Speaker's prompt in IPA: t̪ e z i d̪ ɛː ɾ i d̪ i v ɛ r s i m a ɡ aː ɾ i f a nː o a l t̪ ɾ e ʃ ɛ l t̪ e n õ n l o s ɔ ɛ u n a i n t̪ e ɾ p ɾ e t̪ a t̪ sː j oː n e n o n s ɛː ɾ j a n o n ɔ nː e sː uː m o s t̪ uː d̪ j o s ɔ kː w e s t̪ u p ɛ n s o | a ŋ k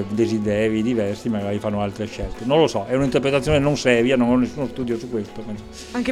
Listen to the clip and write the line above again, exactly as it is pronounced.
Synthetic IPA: d̪ e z i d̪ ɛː ɾ i d̪ i v ɛ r s i m a ɡ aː ɾ i f a nː o a l t̪ ɾ e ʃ ɛ l t̪ e n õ n l o s ɔ ɛ u n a i n t̪ e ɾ p ɾ e t̪ a t̪ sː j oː n e n o n s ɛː ɾ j a n o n ɔ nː e sː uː n o s t̪ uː d̪ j o s u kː w e s t̪ o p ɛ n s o | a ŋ k